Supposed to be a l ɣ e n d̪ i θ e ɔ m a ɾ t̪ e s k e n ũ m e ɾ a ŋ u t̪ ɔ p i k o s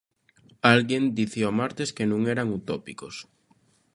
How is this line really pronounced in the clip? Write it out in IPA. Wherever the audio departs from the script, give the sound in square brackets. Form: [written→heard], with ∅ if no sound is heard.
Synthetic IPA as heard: a l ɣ e n d̪ i θ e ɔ m a ɾ t̪ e s k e n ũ [m→ŋ] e ɾ a ŋ u t̪ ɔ p i k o s